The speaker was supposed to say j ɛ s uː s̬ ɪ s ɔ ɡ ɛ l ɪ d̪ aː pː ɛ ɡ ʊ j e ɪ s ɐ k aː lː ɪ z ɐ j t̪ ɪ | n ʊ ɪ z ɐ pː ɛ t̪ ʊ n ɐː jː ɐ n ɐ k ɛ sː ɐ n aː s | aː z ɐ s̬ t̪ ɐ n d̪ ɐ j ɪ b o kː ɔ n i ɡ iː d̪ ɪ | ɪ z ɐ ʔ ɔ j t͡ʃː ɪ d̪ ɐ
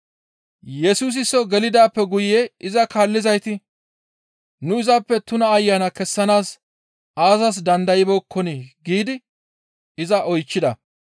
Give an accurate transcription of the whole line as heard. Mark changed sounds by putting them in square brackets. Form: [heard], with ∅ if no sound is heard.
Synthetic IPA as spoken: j ɛ s uː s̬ ɪ s ɔ ɡ ɛ l ɪ d̪ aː pː ɛ ɡ ʊ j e ɪ [z] ɐ k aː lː ɪ z ɐ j t̪ ɪ | n ʊ ɪ z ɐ pː ɛ t̪ ʊ n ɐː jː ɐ n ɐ k ɛ sː ɐ n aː s | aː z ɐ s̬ [d̪] ɐ n d̪ ɐ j ɪ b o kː ɔ n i ɡ iː d̪ ɪ | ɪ z ɐ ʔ ɔ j t͡ʃː ɪ d̪ ɐ

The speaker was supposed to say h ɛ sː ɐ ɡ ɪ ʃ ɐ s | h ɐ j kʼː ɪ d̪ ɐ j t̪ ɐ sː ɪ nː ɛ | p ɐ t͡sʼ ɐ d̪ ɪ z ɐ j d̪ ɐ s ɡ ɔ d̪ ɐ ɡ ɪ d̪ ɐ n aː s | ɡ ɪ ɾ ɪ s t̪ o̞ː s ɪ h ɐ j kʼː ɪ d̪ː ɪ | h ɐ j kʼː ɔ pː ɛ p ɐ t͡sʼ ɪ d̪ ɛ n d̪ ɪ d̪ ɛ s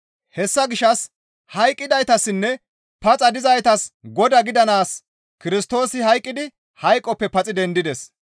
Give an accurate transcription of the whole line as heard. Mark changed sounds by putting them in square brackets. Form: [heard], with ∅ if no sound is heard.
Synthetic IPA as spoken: h ɛ sː ɐ ɡ ɪ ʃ ɐ s | h ɐ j kʼː ɪ d̪ ɐ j t̪ ɐ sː ɪ nː ɛ | p ɐ t͡sʼ ɐ d̪ ɪ z ɐ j [t̪] ɐ s ɡ ɔ d̪ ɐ ɡ ɪ d̪ ɐ n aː s | [k] ɪ ɾ ɪ s t̪ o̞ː s ɪ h ɐ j kʼː ɪ [d̪] ɪ | h ɐ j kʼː ɔ pː ɛ p ɐ t͡sʼ ɪ d̪ ɛ n d̪ ɪ d̪ ɛ s

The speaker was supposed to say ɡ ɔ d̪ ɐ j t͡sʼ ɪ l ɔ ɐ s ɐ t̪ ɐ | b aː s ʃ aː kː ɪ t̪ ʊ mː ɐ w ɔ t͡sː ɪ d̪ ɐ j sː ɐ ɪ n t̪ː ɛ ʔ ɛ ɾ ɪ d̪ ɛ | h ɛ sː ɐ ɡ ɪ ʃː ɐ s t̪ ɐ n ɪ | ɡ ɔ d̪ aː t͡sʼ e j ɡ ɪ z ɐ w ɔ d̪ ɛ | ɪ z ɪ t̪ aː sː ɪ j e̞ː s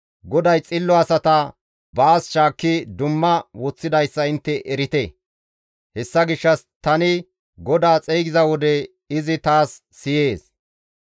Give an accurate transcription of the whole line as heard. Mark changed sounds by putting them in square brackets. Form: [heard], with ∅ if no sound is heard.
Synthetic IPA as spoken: ɡ ɔ d̪ ɐ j t͡sʼ ɪ [lː] ɔ ɐ s ɐ t̪ ɐ | b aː s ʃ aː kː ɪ [d̪] ʊ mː ɐ w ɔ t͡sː ɪ d̪ ɐ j sː ɐ ɪ n t̪ː ɛ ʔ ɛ ɾ ɪ [t̪] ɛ | h ɛ sː ɐ ɡ ɪ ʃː ɐ s t̪ ɐ n ɪ | ɡ ɔ d̪ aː t͡sʼ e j ɡ ɪ z ɐ w ɔ d̪ ɛ | ɪ z ɪ t̪ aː sː ɪ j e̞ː s

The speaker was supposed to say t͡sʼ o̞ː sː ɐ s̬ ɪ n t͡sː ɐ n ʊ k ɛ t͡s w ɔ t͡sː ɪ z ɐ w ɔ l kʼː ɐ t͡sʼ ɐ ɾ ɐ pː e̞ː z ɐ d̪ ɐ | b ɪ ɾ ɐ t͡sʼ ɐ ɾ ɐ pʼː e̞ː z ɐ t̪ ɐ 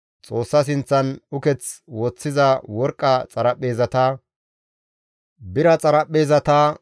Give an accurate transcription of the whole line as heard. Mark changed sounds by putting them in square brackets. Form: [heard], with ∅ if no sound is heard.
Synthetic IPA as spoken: t͡sʼ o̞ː sː ɐ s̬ ɪ n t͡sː ɐ n ʊ k ɛ t͡s w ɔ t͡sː ɪ z ɐ w ɔ [ɾ] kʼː ɐ t͡sʼ ɐ ɾ ɐ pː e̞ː z ɐ [t̪] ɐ | b ɪ ɾ ɐ t͡sʼ ɐ ɾ ɐ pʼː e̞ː z ɐ t̪ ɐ

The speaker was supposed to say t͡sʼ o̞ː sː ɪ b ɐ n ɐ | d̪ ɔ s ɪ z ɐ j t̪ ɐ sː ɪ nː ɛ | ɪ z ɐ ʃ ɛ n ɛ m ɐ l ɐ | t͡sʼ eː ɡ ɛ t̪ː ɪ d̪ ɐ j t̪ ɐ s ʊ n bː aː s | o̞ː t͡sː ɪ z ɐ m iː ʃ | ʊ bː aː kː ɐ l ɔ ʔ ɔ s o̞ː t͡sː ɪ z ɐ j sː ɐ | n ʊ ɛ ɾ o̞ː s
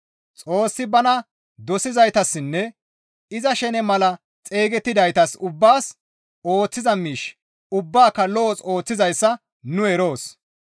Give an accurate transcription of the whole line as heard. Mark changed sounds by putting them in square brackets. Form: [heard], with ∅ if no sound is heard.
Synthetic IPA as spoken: t͡sʼ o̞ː sː ɪ b ɐ n ɐ | d̪ ɔ s ɪ z ɐ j t̪ ɐ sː ɪ nː ɛ | ɪ z ɐ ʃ ɛ n ɛ m ɐ l ɐ | t͡sʼ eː ɡ ɛ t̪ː ɪ d̪ ɐ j t̪ ɐ s ʊ [∅] bː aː s | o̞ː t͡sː ɪ z ɐ m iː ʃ | ʊ bː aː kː ɐ l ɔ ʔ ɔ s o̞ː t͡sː ɪ z ɐ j sː ɐ | n ʊ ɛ ɾ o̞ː s

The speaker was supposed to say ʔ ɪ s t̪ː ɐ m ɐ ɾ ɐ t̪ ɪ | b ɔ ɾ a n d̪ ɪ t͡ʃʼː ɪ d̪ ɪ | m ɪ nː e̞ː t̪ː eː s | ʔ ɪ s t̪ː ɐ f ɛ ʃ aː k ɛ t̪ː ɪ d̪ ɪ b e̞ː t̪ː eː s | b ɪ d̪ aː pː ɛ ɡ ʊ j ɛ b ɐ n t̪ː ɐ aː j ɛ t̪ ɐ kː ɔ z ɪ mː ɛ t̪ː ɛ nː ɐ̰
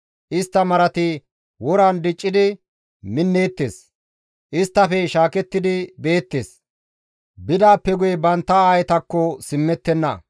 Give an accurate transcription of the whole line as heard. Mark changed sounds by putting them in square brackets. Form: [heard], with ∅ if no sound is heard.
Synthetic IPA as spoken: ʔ ɪ s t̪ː ɐ m ɐ ɾ ɐ t̪ ɪ | [w] ɔ ɾ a n d̪ ɪ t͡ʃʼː ɪ d̪ ɪ | m ɪ nː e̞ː t̪ː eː s | ʔ ɪ s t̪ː ɐ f ɛ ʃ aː k ɛ t̪ː ɪ d̪ ɪ b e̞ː t̪ː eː s | b ɪ d̪ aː pː ɛ ɡ ʊ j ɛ b ɐ n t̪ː ɐ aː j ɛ t̪ ɐ kː ɔ [s] ɪ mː ɛ t̪ː ɛ nː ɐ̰

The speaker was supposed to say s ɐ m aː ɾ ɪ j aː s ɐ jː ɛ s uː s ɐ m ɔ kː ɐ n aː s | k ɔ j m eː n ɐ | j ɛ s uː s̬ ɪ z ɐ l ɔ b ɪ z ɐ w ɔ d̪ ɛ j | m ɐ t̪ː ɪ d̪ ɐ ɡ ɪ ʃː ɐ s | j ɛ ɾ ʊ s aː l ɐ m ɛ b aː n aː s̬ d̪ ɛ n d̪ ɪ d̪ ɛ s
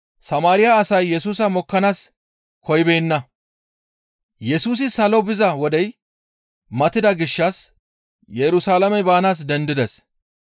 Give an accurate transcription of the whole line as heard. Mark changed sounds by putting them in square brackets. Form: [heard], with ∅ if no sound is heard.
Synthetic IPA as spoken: s ɐ m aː ɾ ɪ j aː s ɐ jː ɛ s uː s ɐ m ɔ kː ɐ n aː s | k ɔ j [b] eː [nː] ɐ | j ɛ s uː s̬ ɪ [s] ɐ l ɔ b ɪ z ɐ w ɔ d̪ ɛ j | m ɐ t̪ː ɪ d̪ ɐ ɡ ɪ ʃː ɐ s | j ɛ ɾ ʊ s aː l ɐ m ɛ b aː n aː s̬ d̪ ɛ n d̪ ɪ d̪ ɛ s

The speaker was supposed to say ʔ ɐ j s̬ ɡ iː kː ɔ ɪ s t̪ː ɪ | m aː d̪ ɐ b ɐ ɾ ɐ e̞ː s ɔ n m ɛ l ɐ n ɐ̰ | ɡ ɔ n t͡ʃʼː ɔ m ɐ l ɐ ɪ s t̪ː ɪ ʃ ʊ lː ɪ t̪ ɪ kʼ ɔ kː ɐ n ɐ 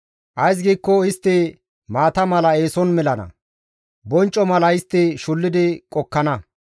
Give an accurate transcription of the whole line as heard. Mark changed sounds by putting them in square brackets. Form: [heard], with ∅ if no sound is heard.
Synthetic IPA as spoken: ʔ ɐ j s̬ ɡ iː kː ɔ ɪ s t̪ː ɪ | m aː [t̪] ɐ [m] ɐ [l] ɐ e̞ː s ɔ n m ɛ l ɐ n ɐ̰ | [b] ɔ n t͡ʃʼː ɔ m ɐ l ɐ ɪ s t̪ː ɪ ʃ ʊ lː ɪ [d̪] ɪ kʼ ɔ kː ɐ n ɐ

